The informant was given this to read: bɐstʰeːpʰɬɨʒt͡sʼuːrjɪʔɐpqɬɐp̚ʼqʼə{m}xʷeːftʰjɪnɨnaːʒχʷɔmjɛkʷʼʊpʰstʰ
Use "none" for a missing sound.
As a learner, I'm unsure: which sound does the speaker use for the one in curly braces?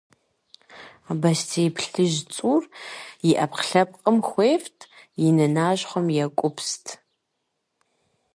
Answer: m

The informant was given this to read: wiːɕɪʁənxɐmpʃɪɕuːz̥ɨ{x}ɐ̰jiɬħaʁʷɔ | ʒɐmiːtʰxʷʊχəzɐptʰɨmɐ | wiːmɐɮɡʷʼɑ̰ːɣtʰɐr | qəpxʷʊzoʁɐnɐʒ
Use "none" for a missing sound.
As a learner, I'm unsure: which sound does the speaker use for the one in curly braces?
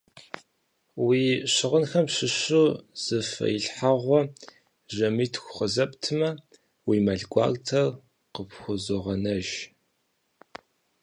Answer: f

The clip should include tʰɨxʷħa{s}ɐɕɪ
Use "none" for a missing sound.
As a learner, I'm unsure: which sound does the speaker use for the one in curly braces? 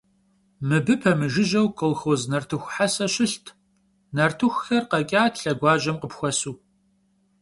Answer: s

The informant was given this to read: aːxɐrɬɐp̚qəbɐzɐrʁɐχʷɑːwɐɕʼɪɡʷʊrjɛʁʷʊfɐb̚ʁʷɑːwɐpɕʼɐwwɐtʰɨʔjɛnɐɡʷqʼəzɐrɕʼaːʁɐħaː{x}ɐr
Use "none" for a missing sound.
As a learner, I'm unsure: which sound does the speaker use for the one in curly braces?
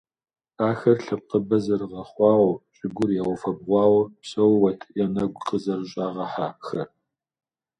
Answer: x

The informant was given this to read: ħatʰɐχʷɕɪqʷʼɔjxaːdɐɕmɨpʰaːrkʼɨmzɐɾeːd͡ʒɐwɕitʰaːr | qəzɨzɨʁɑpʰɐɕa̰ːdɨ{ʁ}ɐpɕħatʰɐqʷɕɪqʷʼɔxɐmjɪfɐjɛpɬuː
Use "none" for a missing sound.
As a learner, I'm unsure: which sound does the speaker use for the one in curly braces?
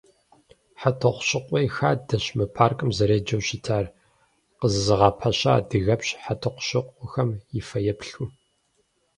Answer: ɣ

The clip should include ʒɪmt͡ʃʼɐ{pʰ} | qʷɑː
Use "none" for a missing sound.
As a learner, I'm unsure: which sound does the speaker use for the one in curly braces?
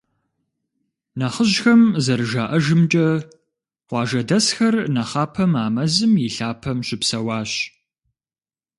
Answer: none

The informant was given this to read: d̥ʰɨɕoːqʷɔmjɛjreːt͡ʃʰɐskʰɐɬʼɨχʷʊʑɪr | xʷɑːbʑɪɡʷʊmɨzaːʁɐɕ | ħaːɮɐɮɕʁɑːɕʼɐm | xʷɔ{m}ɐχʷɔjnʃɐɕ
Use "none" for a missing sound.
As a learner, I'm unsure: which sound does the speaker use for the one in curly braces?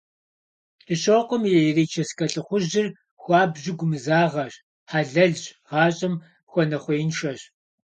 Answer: n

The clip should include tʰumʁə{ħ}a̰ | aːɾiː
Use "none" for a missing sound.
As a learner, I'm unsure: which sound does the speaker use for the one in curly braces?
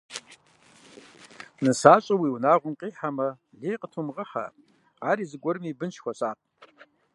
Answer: ħ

